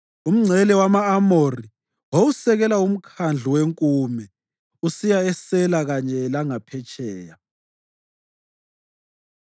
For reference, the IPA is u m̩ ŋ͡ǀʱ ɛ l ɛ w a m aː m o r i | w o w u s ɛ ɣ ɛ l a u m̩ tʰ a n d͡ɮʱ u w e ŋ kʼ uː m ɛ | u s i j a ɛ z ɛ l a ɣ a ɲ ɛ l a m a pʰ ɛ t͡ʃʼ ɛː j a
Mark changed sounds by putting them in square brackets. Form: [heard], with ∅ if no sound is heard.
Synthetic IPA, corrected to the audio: u m̩ ŋ͡ǀʱ ɛ l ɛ w a m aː m o r i | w o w u s ɛ ɣ ɛ l a u m̩ [kʰ] a n d͡ɮʱ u w e ŋ kʼ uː m ɛ | u s i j a ɛ [s] ɛ l a ɣ a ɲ ɛ l a [ŋ] a pʰ ɛ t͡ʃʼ ɛː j a